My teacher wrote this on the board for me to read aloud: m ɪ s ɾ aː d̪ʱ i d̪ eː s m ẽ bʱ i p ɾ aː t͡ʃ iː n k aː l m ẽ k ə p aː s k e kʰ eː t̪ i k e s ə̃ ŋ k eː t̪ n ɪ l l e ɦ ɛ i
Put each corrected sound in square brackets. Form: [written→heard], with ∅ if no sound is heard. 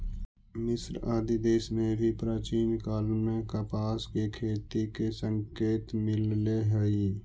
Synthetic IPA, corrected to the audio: m ɪ s ɾ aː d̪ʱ i d̪ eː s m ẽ bʱ i p ɾ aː t͡ʃ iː n k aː l m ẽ k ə p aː s k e kʰ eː t̪ i k e s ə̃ ŋ k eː t̪ [n→m] ɪ l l e ɦ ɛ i